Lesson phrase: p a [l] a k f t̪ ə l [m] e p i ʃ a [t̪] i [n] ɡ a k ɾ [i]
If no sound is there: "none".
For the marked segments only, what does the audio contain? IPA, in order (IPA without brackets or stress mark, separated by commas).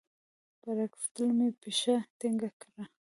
ɾ, m, t̪, ŋ, a